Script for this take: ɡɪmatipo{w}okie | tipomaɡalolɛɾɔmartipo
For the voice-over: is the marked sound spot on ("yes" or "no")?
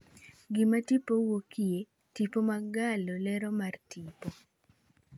yes